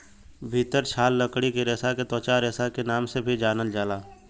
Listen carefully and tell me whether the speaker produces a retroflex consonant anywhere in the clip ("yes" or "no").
yes